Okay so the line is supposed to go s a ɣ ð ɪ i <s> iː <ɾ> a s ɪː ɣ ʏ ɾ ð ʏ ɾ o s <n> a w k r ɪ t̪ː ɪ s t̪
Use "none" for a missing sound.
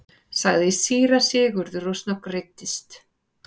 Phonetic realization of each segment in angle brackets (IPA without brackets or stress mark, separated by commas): s, ɾ, n